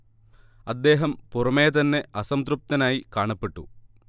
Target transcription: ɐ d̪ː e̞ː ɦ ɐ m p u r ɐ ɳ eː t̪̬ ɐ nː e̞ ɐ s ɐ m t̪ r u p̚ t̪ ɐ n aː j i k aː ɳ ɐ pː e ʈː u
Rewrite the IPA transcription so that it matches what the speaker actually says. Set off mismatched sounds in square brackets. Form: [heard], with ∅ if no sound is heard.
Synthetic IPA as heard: ɐ d̪ː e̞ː ɦ ɐ m p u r ɐ [m] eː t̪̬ ɐ nː e̞ ɐ s ɐ m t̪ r u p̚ t̪ ɐ n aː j i k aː ɳ ɐ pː e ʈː u